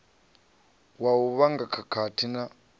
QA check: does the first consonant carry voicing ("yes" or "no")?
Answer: yes